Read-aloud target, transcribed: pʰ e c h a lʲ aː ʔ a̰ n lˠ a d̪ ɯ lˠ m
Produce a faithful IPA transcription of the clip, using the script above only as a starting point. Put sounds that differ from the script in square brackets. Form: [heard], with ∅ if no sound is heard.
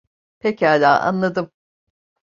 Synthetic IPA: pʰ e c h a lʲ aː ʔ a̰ n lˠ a d̪ ɯ [∅] m